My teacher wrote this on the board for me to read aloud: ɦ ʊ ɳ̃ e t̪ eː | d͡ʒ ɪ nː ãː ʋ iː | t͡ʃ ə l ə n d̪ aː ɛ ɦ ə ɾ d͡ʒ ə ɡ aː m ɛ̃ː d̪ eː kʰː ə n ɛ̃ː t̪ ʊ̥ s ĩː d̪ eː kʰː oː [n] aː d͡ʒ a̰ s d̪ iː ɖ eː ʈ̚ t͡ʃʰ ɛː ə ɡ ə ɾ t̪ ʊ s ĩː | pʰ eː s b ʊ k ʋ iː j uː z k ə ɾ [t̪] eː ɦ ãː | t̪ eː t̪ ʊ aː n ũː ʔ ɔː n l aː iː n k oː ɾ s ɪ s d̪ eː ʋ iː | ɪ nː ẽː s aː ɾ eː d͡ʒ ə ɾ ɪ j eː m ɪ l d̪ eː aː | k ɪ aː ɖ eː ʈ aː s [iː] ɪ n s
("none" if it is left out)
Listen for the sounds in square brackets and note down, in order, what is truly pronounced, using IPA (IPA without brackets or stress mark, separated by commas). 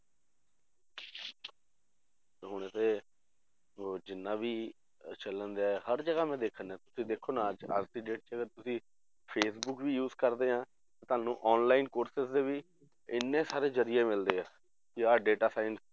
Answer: n, d̪, aː